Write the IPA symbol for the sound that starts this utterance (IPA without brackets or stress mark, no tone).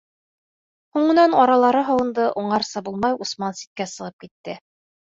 h